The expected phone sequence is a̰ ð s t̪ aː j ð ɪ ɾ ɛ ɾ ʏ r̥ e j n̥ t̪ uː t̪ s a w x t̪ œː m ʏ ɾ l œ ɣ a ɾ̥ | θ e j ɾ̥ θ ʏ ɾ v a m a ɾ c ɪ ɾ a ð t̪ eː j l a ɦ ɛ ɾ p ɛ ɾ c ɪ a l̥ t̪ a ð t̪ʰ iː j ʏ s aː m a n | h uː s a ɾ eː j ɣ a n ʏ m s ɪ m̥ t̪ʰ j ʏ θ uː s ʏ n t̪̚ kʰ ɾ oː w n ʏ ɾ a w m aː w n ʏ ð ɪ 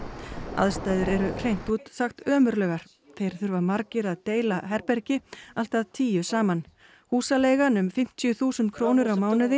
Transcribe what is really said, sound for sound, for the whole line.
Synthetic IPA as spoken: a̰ ð s t̪ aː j ð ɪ ɾ ɛ ɾ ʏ r̥ e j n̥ t̪ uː t̪ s a x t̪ œː m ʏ ɾ l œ ɣ a ɾ̥ | θ e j ɾ̥ θ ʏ ɾ v a m a ɾ c ɪ ɾ a ð t̪ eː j l a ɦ ɛ ɾ p ɛ ɾ c ɪ a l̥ t̪ a ð t̪ʰ iː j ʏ s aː m a n | h uː s a l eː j ɣ a n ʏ m f ɪ m̥ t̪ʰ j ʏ θ uː s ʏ n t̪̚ kʰ ɾ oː w n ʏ ɾ a w m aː w n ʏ ð ɪ